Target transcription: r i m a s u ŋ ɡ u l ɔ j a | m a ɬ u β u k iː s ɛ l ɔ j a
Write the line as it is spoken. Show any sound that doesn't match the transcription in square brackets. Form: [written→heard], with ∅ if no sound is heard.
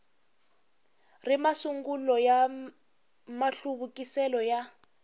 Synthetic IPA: r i m a s u ŋ ɡ u l ɔ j a | m a ɬ u β u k [iː→i] s ɛ l ɔ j a